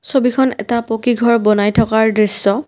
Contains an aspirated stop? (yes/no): yes